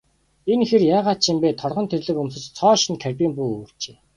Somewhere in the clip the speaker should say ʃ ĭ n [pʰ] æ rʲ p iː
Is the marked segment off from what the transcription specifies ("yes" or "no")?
yes